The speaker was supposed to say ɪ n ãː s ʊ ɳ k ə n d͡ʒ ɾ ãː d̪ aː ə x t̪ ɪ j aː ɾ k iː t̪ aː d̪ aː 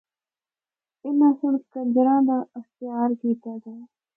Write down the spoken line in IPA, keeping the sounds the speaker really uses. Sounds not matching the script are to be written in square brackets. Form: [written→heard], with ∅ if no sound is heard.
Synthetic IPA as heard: ɪ n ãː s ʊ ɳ k ə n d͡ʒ ɾ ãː d̪ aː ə x t̪ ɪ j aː ɾ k iː t̪ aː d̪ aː